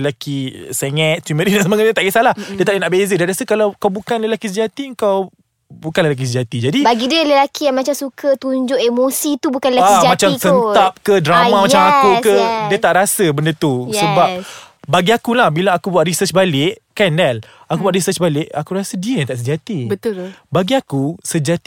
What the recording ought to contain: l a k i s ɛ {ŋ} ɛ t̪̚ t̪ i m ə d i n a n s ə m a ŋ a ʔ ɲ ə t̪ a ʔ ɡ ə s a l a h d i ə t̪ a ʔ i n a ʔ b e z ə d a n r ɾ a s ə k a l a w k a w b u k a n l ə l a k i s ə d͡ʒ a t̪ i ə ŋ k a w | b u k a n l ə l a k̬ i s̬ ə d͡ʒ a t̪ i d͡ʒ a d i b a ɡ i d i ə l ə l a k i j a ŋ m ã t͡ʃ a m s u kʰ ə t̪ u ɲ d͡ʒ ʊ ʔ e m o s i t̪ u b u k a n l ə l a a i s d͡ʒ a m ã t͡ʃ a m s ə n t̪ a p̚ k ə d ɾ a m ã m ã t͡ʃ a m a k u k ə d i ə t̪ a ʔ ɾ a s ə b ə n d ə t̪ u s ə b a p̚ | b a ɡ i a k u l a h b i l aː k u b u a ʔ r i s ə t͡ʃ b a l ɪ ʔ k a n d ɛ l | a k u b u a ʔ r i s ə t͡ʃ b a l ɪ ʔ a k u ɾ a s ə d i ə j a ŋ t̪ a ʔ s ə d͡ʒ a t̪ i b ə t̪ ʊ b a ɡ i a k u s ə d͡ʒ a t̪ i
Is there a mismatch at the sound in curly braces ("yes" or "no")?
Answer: no